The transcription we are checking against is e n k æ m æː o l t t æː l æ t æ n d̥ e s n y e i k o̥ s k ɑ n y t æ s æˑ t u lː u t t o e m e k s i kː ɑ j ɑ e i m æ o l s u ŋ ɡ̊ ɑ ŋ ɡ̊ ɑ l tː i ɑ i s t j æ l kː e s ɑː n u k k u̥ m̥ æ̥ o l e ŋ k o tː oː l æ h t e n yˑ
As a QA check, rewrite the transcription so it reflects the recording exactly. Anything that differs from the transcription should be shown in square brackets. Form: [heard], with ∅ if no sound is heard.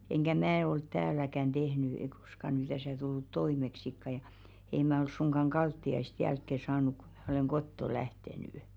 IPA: e n k æ m æː o l t t æː l æ [k] æ n d̥ e [h] n y e i k o̥ s k ɑ n y t æ s æˑ t u lː u t t o [i] m e k s i kː ɑ j ɑ e i m æ o l s u ŋ ɡ̊ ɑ ŋ ɡ̊ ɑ l tː i ɑ i s t j æ l kː e s ɑː n u k k u̥ m̥ æ̥ o l e ŋ k o tː [o] l æ h t e n yˑ

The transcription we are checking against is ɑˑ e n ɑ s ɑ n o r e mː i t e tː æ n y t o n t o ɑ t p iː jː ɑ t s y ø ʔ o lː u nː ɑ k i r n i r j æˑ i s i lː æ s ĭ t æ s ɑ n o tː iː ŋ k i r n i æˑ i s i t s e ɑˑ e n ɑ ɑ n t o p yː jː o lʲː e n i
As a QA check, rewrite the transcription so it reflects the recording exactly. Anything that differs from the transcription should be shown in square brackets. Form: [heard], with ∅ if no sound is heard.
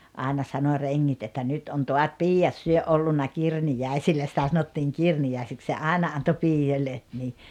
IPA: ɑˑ e n ɑ s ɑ n o r e [ŋː] i t e tː æ n y t o n t o ɑ t p iː jː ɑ t s y ø ʔ o lː u nː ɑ k i r n i [∅] j æˑ i s i lː æ s ĭ t æ s ɑ n o tː iː ŋ k i r n i æˑ i s i [k] s e ɑˑ e n ɑ ɑ n t o p [iː] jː o lʲː e n i

